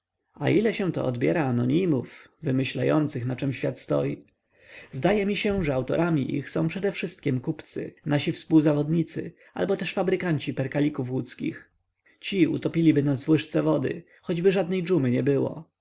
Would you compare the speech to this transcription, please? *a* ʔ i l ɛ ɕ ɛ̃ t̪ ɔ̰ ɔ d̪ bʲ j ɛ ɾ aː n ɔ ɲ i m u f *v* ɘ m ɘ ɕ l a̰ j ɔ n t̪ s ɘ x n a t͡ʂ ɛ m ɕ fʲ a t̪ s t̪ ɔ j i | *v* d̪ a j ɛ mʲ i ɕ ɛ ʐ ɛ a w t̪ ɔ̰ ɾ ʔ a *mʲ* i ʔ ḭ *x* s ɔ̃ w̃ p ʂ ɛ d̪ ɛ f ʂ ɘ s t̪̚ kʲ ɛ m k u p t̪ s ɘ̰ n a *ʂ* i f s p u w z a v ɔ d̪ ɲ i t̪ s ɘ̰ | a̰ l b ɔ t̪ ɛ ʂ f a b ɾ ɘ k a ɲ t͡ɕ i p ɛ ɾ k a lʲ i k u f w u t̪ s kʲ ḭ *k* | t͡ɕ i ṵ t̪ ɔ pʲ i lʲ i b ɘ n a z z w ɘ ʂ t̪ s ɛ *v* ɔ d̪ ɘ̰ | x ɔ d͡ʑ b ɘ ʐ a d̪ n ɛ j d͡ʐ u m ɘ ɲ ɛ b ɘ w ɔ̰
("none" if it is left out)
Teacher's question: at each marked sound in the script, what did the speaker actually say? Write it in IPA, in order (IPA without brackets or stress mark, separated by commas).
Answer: a, v, z, mʲ, x, ɕ, x, v